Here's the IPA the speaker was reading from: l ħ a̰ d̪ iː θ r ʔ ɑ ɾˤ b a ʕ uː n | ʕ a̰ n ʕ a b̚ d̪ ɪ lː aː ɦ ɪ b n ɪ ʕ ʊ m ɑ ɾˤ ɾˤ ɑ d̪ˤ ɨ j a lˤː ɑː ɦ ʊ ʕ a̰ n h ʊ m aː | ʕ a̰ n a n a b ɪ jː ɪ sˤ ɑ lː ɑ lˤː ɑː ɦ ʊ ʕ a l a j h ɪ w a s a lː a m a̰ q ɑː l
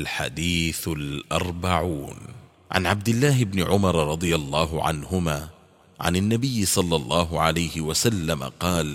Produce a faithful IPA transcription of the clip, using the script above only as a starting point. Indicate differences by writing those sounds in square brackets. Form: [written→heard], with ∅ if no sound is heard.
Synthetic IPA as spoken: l ħ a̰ d̪ iː θ [r→l] ʔ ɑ ɾˤ b a ʕ uː n | ʕ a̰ n ʕ a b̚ d̪ ɪ lː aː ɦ ɪ b n ɪ ʕ ʊ m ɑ ɾˤ ɾˤ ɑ d̪ˤ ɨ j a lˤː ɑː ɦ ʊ ʕ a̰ n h ʊ m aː | ʕ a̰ n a [n→nː] a b ɪ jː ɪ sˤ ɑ lː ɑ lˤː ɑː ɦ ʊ ʕ a l a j h ɪ w a s a lː a m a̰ q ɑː l